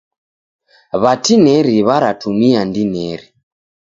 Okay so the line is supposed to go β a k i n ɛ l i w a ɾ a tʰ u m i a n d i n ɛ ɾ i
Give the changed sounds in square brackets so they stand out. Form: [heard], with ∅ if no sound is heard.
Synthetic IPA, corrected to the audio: β a [t] i n ɛ [ɾ] i [β] a ɾ a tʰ u m i a n d i n ɛ ɾ i